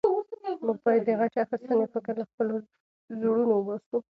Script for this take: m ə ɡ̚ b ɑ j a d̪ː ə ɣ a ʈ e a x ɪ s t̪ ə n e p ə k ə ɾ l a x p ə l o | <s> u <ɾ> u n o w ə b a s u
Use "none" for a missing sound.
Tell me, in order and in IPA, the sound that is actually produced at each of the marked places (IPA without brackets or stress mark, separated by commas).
z, ɽ